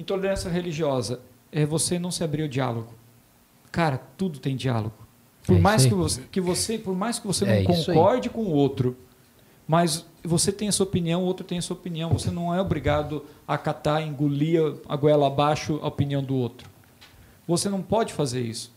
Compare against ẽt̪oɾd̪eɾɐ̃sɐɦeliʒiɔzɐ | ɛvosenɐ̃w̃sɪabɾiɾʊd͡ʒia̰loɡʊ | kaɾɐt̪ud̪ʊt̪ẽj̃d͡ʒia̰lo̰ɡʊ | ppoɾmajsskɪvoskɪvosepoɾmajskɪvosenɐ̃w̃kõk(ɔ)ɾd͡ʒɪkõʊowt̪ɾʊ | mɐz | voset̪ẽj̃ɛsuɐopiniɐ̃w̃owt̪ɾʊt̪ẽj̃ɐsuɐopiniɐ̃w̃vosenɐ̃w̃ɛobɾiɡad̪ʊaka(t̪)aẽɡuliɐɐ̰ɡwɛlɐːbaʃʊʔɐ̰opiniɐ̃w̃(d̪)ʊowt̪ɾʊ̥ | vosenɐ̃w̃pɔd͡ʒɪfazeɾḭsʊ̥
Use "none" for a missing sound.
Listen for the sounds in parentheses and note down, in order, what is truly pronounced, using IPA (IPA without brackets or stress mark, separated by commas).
ɔ, t̪, d̪